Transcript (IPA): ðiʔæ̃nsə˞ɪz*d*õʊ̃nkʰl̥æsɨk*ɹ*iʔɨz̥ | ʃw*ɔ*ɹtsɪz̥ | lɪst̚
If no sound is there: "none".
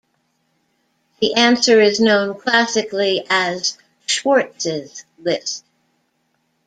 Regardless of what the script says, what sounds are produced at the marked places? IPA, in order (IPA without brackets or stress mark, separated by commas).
n, l, ɔ